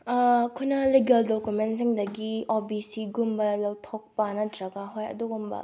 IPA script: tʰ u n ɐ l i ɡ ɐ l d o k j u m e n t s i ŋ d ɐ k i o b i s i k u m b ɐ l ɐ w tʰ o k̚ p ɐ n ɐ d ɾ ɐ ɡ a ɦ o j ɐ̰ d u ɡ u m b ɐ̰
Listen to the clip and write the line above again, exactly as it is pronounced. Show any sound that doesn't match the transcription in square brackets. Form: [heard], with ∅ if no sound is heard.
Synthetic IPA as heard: [kʰ] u n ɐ l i ɡ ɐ l d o k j u m e n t s i ŋ d ɐ [ɡ] i o b i s i [ɡ] u m b ɐ l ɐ w tʰ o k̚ p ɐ n ɐ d ɾ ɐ ɡ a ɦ o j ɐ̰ d u ɡ u m b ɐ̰